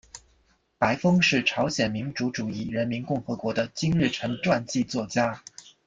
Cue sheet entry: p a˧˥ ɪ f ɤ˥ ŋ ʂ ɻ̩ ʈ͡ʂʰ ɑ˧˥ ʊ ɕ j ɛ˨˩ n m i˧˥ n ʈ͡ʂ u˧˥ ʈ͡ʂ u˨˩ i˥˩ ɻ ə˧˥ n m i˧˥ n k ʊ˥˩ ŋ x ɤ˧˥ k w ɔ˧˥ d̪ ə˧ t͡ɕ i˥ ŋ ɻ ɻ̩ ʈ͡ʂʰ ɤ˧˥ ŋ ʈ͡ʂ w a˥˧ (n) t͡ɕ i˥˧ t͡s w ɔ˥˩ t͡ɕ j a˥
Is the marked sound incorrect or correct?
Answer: correct